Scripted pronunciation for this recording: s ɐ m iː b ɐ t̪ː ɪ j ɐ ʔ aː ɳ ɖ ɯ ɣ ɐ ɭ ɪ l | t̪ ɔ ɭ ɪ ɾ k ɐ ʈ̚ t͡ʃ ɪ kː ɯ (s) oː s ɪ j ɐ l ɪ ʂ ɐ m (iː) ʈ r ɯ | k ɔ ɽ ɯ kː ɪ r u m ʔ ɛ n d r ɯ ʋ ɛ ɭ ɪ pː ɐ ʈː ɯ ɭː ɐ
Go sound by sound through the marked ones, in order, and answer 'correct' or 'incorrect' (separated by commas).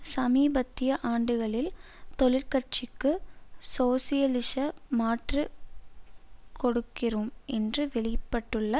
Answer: correct, incorrect